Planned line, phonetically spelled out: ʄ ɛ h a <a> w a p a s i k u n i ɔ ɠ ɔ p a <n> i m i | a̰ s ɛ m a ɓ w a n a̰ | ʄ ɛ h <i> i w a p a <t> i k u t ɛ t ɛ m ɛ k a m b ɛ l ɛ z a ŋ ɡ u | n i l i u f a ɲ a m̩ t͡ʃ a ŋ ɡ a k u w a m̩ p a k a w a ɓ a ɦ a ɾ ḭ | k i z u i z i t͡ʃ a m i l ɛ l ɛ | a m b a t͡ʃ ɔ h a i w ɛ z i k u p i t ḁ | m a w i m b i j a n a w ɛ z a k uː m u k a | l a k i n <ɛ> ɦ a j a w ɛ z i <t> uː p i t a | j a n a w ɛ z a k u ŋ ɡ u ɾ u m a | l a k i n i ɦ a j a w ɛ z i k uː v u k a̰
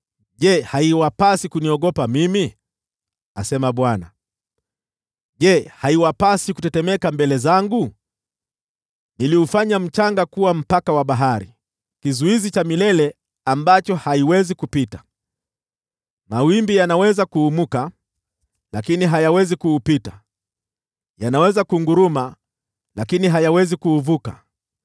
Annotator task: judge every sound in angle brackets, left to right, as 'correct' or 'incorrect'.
incorrect, incorrect, incorrect, incorrect, incorrect, incorrect

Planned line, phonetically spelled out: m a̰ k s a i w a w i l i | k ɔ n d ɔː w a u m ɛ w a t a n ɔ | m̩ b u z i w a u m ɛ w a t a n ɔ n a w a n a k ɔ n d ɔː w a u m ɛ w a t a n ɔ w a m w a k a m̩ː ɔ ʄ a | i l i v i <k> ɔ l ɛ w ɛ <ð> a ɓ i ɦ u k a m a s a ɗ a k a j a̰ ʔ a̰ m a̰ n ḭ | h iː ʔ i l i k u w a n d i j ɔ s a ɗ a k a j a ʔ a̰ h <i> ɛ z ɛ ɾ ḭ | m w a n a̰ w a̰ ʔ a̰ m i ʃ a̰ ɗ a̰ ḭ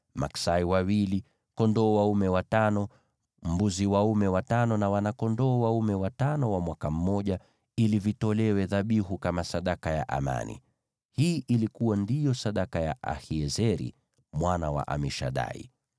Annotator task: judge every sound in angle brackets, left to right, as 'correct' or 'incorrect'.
incorrect, correct, correct

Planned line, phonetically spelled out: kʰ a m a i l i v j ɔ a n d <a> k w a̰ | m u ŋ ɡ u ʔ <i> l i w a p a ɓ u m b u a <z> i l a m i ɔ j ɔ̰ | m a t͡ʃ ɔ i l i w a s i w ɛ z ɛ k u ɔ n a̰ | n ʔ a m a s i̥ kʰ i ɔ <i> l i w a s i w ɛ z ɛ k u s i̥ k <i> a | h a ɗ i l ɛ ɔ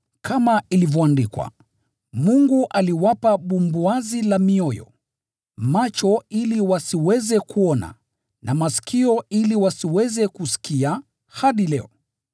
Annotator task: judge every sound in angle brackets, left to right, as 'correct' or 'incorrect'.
incorrect, incorrect, correct, correct, correct

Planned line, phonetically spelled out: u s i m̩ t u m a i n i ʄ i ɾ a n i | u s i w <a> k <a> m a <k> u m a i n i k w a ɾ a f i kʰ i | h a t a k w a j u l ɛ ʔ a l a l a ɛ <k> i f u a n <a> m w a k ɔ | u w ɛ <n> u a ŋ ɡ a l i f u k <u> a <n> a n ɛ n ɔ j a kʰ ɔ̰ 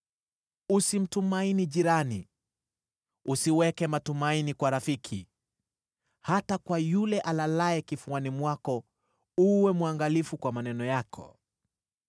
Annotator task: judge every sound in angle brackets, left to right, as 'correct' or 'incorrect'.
incorrect, incorrect, incorrect, correct, incorrect, incorrect, incorrect, incorrect

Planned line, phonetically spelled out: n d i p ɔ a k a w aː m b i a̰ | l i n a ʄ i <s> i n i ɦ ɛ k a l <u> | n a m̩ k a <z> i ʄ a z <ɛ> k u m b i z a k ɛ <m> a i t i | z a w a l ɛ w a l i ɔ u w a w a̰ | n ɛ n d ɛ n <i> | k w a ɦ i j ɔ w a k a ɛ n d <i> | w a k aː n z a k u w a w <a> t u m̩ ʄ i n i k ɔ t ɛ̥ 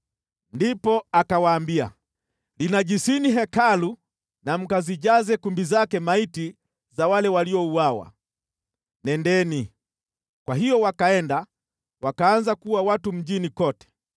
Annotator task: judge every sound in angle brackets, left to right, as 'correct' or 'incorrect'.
correct, correct, correct, correct, correct, correct, incorrect, correct

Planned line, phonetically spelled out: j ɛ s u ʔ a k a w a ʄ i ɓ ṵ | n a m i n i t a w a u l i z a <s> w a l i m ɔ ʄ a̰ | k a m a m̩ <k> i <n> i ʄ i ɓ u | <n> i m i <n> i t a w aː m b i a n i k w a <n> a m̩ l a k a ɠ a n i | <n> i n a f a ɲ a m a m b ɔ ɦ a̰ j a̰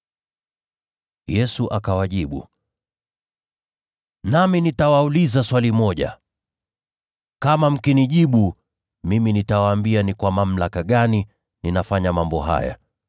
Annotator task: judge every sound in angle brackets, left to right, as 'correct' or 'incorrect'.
correct, correct, correct, incorrect, correct, incorrect, correct

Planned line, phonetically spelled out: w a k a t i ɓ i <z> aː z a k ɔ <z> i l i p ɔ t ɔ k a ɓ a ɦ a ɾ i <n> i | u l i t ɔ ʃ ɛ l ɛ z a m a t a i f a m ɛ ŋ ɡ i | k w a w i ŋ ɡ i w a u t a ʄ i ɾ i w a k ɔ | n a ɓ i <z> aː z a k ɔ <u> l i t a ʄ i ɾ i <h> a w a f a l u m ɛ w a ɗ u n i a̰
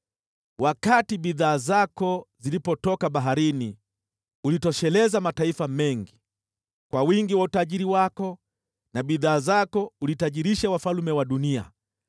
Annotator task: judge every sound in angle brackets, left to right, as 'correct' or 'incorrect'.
incorrect, correct, correct, incorrect, correct, incorrect

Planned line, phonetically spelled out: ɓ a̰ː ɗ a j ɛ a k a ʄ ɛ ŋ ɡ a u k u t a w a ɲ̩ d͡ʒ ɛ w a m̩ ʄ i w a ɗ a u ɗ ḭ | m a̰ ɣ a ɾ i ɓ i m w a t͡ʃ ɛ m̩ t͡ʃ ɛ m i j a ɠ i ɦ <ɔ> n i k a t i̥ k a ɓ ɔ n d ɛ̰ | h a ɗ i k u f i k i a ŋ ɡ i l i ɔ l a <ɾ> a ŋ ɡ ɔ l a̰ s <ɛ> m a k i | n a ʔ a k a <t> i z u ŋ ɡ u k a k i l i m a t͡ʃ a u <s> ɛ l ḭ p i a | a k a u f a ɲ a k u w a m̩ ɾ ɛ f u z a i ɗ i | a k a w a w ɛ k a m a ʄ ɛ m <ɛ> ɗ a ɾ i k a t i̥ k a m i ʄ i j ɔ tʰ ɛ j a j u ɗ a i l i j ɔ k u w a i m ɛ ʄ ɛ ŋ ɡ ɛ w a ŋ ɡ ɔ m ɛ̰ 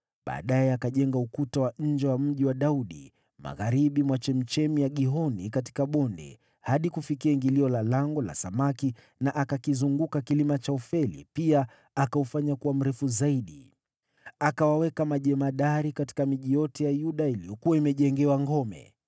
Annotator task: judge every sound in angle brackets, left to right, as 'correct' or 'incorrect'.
correct, incorrect, incorrect, incorrect, incorrect, incorrect

